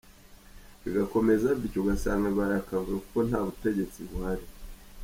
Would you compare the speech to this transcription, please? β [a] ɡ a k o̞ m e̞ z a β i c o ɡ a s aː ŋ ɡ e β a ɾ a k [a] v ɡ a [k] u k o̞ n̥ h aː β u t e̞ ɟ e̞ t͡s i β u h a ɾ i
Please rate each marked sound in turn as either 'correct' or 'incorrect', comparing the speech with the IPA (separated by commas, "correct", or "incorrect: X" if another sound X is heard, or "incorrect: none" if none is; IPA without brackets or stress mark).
incorrect: i, correct, correct